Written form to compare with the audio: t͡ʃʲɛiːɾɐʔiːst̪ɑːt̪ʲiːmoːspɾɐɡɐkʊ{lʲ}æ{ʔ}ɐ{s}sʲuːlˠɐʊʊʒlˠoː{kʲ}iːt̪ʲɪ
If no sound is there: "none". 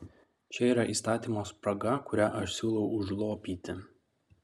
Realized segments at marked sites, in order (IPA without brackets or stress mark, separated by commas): ɾʲ, ʔ, ʃ, pʲ